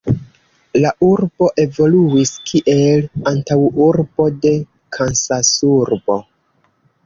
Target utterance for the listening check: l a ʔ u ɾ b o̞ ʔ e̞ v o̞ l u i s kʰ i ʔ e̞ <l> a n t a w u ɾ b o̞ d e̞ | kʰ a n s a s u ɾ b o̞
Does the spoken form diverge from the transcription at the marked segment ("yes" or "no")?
no